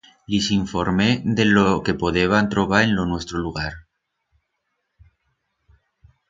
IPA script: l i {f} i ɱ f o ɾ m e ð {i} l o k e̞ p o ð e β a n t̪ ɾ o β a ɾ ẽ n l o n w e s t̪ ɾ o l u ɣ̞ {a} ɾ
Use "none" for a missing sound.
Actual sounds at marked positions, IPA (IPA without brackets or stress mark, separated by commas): s, e, a